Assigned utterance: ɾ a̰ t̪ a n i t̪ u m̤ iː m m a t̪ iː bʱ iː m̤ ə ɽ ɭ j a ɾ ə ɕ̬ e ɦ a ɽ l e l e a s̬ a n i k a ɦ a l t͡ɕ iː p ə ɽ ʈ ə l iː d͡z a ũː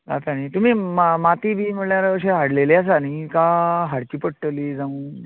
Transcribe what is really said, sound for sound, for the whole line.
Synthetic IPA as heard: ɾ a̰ t̪ a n i t̪ u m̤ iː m m a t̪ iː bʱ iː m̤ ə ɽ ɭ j a ɾ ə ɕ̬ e ɦ a ɽ l e l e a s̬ a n i k a ɦ a ɽ t͡ɕ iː p ə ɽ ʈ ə l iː d͡z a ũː